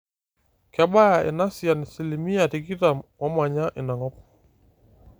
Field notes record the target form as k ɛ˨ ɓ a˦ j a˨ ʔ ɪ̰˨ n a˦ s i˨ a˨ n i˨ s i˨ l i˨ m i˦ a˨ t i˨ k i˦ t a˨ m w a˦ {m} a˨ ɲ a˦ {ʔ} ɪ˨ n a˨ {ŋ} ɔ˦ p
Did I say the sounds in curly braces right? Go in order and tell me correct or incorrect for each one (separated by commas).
correct, correct, correct